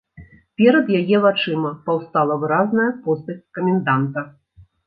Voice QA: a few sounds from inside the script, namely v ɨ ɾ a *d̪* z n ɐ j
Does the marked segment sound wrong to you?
yes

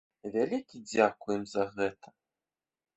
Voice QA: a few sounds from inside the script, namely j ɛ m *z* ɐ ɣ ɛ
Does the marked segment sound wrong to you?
no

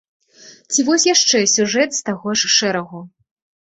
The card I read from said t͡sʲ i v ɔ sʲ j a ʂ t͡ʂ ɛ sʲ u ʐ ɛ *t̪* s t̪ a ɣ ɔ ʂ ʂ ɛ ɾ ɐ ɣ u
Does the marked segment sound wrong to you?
no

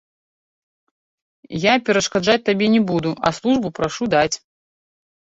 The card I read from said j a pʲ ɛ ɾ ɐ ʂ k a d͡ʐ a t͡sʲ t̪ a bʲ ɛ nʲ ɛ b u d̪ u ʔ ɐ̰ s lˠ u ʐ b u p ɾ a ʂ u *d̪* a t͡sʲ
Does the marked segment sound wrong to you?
no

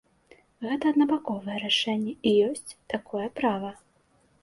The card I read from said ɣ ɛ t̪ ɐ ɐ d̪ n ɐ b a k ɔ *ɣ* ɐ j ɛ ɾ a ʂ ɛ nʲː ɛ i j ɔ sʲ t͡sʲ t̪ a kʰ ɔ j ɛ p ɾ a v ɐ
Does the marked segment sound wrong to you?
yes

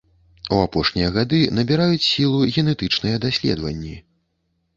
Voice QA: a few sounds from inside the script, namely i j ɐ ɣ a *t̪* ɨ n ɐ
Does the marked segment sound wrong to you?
yes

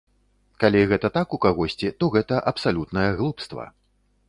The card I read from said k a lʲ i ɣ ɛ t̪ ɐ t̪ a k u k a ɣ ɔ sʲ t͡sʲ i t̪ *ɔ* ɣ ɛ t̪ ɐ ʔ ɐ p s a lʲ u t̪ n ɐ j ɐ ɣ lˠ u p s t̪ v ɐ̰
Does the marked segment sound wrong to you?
no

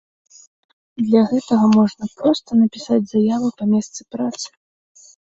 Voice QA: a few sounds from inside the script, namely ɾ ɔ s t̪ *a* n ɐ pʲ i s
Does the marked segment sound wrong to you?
yes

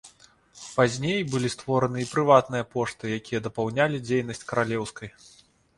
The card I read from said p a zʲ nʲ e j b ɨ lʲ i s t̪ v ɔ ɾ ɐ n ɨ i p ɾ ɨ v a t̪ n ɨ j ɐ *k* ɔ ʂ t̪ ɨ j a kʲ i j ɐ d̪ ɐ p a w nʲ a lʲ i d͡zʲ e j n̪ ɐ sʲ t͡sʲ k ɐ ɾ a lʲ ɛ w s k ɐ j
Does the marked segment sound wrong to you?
yes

